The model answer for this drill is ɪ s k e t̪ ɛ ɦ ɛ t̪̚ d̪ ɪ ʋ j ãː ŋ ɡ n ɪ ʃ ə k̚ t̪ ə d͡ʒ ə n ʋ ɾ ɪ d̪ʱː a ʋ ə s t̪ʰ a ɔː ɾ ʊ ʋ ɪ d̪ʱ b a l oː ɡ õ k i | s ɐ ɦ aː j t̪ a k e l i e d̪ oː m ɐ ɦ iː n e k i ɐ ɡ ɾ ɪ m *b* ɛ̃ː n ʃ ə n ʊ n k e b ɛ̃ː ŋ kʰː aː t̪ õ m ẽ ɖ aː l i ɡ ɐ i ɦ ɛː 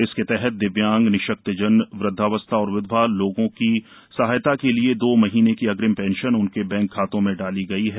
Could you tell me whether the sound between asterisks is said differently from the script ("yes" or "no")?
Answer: yes